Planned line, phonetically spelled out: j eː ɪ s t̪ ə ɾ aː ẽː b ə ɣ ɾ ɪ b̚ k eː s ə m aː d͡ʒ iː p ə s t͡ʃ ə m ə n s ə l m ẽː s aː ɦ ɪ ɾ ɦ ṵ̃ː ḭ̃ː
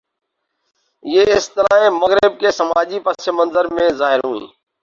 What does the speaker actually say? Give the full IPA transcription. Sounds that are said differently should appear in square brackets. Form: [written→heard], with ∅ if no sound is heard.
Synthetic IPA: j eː ɪ s t̪ ə ɾ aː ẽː [b→m] ə ɣ ɾ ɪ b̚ k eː s ə m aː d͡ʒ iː p ə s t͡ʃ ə m ə n [s→z] ə [l→ɾ] m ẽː [s→z] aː ɦ ɪ ɾ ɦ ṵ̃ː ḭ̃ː

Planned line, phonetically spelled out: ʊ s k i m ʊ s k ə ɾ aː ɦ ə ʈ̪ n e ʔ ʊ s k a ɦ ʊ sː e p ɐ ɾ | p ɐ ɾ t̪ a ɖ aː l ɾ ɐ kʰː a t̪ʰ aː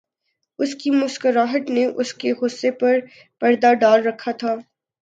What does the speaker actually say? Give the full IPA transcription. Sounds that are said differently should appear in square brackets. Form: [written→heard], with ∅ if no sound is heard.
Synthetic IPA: ʊ s k i m ʊ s k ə ɾ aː ɦ ə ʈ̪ n e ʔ ʊ s k [a→e] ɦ ʊ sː e p ɐ ɾ | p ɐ ɾ [t̪→d̪] a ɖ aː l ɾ ɐ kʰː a t̪ʰ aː

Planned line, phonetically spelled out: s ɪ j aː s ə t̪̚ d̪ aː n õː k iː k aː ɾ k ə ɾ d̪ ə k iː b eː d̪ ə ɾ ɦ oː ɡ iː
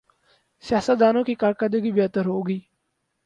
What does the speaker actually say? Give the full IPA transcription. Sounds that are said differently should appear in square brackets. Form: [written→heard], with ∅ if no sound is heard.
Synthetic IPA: s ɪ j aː s ə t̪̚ d̪ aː n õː k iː k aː ɾ k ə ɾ d̪ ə [k→ɡ] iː b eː [d̪→t̪] ə ɾ ɦ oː ɡ iː

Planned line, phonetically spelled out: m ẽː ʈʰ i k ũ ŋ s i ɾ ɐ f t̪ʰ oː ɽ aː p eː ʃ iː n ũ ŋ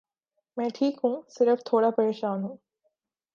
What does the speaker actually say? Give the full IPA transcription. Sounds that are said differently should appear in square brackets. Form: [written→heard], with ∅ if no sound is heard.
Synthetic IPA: m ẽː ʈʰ [i→iː] k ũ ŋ s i ɾ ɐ f t̪ʰ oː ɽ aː p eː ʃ [iː→aː] n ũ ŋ

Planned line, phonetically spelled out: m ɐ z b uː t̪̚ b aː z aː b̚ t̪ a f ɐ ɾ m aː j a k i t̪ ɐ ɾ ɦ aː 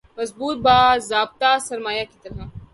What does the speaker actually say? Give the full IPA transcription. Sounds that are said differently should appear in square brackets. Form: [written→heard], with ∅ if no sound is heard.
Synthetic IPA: m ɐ z b uː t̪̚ b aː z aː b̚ t̪ a [f→s] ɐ ɾ m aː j a k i t̪ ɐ ɾ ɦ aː

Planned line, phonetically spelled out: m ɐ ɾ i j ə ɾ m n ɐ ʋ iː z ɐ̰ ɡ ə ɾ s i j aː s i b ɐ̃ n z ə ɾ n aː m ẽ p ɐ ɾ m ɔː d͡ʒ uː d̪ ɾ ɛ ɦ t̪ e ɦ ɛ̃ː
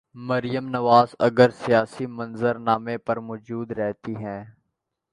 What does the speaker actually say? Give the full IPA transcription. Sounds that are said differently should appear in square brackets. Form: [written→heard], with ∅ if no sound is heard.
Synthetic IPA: m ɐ ɾ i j ə [ɾ→∅] m n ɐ ʋ [iː→aː] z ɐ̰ ɡ ə ɾ s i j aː s i [b→m] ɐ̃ n z ə ɾ n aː m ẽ p ɐ ɾ m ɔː d͡ʒ uː d̪ ɾ ɛ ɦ t̪ [e→i] ɦ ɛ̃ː

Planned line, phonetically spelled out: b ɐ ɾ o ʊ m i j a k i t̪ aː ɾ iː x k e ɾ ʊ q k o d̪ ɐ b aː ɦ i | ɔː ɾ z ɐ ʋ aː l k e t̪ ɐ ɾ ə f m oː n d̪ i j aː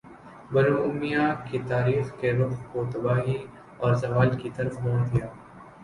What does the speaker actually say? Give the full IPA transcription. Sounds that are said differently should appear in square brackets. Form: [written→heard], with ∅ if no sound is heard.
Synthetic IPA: b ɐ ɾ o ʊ m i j a k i t̪ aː ɾ iː x k e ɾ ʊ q k o [d̪→t̪] ɐ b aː ɦ i | ɔː ɾ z ɐ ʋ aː l k [e→i] t̪ ɐ ɾ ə f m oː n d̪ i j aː

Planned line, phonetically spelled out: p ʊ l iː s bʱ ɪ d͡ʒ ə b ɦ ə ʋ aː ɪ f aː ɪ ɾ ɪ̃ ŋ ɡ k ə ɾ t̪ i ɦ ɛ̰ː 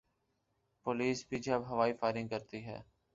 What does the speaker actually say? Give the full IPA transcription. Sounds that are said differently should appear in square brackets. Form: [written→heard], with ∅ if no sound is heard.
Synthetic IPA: p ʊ l iː s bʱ [ɪ→i] d͡ʒ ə b ɦ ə ʋ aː [ɪ→i] f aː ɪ ɾ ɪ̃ ŋ ɡ k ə ɾ t̪ i ɦ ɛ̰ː

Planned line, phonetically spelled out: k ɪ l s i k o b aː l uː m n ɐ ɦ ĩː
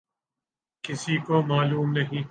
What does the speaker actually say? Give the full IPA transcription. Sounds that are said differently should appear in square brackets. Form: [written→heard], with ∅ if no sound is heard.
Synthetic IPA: k ɪ [l→∅] s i k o [b→m] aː l uː m n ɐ ɦ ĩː

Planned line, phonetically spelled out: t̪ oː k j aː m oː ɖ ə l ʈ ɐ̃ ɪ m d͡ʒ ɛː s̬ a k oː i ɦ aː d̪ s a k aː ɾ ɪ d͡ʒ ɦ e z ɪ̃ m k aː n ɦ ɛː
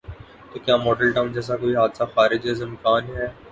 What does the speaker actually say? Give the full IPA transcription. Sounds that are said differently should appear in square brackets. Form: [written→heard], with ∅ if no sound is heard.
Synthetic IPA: t̪ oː k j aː m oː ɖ ə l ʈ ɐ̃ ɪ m d͡ʒ ɛː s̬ a k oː i ɦ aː d̪ s a [k→x] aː ɾ ɪ d͡ʒ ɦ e z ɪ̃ m k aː n ɦ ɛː

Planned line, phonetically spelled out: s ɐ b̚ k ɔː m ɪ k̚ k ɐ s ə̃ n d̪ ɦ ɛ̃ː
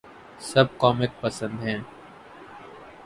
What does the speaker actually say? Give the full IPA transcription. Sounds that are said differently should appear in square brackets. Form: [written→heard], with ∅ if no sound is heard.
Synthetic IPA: s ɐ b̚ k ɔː m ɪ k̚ [k→p] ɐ s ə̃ n d̪ ɦ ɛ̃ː

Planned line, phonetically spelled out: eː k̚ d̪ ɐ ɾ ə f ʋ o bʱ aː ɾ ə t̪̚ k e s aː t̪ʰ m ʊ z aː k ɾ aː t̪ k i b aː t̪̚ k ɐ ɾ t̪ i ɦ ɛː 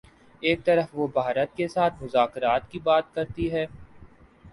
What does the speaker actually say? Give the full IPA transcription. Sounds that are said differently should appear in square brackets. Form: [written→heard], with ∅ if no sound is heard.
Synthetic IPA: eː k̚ [d̪→t̪] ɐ ɾ ə f ʋ o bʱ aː ɾ ə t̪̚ k e s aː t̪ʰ m ʊ z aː k ɾ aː t̪ k i b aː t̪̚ k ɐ ɾ t̪ i ɦ ɛː

